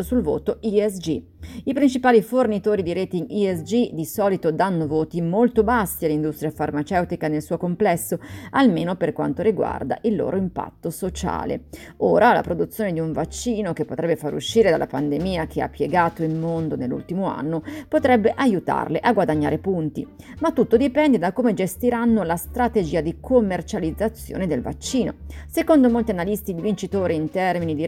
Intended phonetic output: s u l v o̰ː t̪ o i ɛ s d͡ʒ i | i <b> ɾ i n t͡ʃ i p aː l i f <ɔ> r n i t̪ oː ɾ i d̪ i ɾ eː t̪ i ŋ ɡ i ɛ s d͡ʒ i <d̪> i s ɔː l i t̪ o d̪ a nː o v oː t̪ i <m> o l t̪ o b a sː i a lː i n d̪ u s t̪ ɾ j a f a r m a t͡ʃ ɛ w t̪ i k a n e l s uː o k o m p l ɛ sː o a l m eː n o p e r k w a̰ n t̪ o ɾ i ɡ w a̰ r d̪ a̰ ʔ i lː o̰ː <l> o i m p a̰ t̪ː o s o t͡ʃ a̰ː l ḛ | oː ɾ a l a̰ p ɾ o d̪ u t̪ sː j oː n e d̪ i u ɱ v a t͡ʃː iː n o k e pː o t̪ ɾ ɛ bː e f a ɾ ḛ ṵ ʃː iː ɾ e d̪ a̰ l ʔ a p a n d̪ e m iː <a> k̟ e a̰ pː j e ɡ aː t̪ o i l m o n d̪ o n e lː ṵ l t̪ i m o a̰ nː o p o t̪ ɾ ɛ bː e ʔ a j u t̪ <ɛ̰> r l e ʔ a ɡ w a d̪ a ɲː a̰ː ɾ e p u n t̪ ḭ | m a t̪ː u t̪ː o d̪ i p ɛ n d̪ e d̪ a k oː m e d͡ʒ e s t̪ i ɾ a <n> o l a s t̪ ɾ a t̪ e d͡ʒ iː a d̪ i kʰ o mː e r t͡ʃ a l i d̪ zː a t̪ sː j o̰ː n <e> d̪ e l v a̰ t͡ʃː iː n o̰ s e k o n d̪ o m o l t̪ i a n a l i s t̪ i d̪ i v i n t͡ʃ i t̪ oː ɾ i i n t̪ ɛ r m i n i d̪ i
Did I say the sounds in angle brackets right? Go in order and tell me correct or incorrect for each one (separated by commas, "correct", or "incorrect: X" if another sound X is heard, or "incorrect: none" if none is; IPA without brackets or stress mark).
incorrect: p, incorrect: o, correct, correct, incorrect: ɾ, correct, incorrect: a̰, incorrect: nː, correct